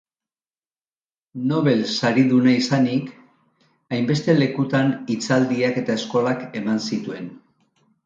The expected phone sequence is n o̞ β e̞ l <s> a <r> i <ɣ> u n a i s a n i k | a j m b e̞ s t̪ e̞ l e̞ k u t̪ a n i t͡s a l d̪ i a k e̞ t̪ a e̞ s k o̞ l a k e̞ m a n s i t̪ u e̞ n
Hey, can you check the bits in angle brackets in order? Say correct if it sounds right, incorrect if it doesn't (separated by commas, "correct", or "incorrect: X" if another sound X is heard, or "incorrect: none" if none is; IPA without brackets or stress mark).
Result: correct, incorrect: ɾ, incorrect: ð